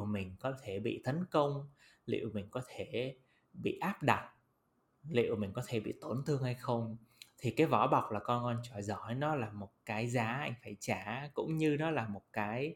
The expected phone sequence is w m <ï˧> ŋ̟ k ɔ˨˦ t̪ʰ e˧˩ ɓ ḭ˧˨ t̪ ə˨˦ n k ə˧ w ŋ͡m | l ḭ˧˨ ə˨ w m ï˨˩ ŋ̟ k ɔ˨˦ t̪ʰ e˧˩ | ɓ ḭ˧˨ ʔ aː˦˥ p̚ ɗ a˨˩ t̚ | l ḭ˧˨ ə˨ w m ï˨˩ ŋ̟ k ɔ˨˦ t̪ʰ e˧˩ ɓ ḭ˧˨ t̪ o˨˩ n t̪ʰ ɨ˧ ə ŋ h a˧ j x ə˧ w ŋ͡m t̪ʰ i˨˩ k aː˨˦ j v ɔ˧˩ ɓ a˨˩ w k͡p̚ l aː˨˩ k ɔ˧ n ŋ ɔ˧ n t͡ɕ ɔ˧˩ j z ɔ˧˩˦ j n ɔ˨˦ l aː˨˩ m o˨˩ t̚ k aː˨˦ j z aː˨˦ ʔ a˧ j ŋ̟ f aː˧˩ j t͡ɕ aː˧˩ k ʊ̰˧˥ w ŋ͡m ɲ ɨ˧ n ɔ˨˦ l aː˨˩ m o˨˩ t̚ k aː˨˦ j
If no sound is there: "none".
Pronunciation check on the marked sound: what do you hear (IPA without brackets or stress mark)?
ï˨˩